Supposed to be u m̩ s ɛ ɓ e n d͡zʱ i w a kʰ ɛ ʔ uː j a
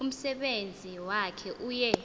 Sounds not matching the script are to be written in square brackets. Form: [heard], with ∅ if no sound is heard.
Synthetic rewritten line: u m̩ s ɛ ɓ e n d͡zʱ i w a kʰ ɛ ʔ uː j [ɛ]